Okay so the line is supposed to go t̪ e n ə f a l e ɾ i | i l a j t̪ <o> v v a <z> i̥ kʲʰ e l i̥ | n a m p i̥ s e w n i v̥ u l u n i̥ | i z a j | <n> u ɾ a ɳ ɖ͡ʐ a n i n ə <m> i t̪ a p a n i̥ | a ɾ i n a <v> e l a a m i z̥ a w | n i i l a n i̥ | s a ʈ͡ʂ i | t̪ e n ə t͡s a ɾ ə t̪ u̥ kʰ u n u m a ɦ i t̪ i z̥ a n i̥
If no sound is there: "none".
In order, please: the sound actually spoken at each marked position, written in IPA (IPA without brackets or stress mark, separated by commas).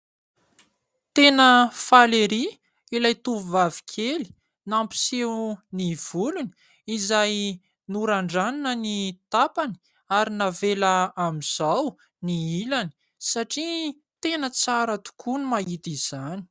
u, v, n, n, v